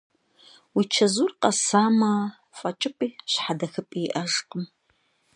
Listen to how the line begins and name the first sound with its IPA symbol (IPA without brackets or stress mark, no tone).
w